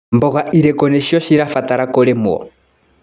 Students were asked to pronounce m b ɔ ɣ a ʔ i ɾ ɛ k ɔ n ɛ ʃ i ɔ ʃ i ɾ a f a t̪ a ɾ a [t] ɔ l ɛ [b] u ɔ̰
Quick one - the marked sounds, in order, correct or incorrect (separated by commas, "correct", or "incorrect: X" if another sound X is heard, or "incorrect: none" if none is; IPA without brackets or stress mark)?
incorrect: k, incorrect: m